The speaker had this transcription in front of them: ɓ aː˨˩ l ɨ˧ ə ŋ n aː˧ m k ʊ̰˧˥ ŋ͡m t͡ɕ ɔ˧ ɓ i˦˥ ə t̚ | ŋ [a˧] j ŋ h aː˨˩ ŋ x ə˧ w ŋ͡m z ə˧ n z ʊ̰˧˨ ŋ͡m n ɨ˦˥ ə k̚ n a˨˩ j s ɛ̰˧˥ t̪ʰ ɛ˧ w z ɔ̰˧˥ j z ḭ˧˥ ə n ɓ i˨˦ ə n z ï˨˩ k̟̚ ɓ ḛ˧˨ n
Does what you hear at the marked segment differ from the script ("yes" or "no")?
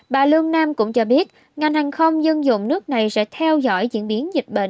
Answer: yes